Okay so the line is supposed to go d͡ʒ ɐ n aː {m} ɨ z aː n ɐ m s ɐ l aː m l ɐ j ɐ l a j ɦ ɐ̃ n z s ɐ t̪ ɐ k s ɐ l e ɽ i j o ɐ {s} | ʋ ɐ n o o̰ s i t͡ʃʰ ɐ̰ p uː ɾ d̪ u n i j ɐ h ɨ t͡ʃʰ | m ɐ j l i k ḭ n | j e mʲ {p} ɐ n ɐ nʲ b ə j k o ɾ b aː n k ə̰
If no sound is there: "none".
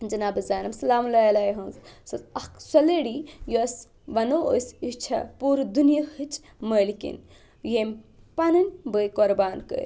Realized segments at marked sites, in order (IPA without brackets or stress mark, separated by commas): b, s, p